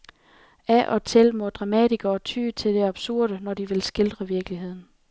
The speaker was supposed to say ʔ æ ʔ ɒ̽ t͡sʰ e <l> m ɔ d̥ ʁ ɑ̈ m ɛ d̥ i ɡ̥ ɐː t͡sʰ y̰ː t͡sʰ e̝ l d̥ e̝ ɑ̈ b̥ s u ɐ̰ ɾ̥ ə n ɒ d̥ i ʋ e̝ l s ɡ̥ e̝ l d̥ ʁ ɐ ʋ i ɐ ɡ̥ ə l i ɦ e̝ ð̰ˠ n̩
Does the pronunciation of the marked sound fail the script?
no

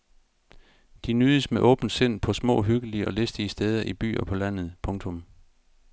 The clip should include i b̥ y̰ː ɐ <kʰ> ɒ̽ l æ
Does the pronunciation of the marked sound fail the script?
yes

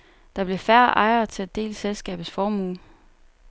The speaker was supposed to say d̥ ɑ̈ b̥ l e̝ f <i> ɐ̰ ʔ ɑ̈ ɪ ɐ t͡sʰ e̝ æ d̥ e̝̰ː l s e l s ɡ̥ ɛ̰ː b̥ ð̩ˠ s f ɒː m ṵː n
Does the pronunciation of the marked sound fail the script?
yes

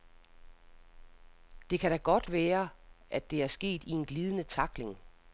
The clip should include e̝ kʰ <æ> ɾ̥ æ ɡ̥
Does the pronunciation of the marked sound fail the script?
no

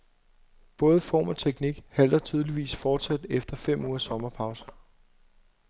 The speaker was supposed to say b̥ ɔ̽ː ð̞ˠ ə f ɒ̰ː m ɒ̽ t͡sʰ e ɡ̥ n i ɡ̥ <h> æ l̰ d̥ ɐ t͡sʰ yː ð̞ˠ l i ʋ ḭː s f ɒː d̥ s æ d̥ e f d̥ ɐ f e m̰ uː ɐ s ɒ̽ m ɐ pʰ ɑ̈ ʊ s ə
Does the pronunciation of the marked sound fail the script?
no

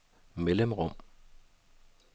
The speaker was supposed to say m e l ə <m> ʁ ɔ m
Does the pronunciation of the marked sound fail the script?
no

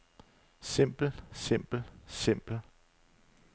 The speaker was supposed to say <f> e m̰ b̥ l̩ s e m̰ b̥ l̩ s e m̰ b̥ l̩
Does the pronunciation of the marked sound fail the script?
yes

